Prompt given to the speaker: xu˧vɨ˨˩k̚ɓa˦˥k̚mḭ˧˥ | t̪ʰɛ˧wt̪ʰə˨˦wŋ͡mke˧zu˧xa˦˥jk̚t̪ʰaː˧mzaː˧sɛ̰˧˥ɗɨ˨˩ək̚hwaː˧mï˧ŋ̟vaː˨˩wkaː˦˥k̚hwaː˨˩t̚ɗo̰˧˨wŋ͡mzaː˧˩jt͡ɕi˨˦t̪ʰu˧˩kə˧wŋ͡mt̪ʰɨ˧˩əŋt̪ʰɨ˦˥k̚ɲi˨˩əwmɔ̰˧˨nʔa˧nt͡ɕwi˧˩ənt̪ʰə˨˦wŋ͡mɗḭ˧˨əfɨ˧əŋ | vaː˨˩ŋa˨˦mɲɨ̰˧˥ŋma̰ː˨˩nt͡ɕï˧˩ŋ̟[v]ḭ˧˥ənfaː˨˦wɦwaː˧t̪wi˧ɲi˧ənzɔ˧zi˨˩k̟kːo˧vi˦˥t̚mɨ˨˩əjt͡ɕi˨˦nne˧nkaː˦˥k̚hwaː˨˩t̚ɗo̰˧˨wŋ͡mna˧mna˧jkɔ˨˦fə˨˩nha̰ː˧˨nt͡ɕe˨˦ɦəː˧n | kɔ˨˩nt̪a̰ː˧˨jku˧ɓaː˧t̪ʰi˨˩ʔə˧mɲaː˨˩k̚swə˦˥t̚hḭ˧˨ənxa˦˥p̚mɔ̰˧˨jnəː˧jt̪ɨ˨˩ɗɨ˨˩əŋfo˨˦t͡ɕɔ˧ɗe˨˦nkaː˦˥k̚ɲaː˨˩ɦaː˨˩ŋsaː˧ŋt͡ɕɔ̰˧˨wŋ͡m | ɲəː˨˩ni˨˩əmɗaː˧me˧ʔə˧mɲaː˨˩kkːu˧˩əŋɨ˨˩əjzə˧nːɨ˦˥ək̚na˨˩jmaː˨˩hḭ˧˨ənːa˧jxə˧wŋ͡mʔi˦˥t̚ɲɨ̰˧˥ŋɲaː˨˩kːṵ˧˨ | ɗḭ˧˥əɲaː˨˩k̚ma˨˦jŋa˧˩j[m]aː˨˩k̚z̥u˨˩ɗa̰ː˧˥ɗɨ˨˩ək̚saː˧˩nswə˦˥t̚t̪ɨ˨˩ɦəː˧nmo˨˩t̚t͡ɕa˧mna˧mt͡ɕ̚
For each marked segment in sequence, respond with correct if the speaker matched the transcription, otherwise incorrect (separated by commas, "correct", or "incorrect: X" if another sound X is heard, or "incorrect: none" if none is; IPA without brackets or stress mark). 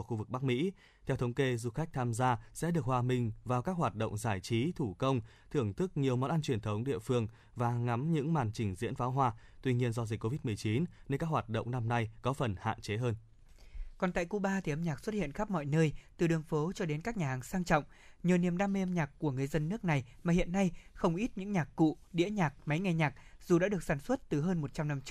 incorrect: z, incorrect: ɲ